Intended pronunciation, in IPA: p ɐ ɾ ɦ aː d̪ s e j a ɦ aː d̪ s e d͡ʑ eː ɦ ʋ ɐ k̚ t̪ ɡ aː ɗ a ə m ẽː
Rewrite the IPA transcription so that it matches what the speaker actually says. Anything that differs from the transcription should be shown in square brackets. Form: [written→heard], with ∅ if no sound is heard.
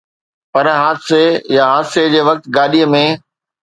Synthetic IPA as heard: p ɐ ɾ ɦ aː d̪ s e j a ɦ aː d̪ s e d͡ʑ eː [ɦ→∅] ʋ ɐ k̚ t̪ ɡ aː ɗ [a→i] ə m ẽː